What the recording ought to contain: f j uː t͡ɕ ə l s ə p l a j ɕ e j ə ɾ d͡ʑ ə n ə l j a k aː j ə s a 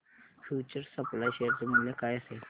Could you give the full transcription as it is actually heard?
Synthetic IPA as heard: f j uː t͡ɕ ə ɾ s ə p l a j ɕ e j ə ɾ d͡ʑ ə m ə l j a k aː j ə s e